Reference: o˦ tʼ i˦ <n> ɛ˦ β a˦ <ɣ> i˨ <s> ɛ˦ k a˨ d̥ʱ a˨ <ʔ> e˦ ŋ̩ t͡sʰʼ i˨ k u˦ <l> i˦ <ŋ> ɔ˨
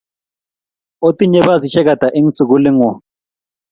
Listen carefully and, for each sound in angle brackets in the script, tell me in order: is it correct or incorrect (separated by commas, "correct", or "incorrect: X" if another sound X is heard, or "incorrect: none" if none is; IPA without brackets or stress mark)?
incorrect: ɲ, incorrect: z, incorrect: ʃ, correct, correct, correct